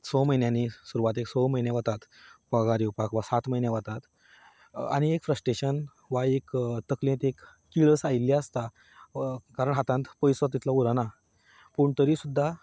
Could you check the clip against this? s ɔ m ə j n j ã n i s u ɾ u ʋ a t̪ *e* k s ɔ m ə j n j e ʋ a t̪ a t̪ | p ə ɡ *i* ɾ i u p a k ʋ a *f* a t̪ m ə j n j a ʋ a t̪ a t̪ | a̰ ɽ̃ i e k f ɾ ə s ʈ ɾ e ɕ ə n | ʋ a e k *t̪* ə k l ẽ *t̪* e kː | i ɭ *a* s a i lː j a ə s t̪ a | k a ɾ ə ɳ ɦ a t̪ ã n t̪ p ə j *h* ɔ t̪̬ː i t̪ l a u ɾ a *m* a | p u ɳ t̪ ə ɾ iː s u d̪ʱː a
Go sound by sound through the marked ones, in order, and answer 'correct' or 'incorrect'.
correct, incorrect: a, incorrect: s, correct, correct, incorrect: ə, incorrect: s, incorrect: n

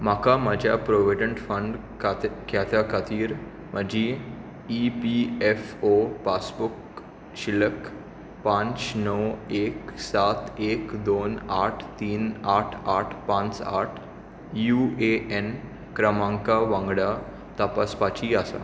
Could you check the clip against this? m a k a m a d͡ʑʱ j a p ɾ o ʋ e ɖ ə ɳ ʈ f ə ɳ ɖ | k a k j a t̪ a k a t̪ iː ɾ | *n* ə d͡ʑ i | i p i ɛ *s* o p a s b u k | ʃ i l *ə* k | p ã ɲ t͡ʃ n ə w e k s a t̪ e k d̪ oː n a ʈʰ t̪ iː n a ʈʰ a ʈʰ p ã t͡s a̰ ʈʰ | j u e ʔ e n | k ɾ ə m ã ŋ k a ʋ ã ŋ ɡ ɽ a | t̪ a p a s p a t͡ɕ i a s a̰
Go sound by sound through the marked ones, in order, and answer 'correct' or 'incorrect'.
incorrect: m, incorrect: f, correct

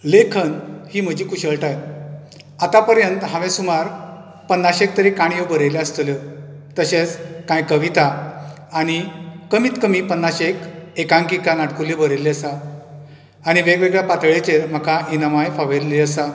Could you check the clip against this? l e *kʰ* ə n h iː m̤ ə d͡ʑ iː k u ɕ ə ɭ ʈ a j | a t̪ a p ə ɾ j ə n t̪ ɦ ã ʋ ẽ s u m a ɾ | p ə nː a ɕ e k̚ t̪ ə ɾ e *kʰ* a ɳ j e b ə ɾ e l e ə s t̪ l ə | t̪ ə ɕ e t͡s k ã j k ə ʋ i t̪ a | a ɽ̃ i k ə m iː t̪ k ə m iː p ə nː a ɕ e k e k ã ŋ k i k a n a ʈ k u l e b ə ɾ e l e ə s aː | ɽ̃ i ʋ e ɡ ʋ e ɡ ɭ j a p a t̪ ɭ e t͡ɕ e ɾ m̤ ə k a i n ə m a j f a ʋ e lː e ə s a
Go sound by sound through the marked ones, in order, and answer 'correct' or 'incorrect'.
correct, incorrect: k

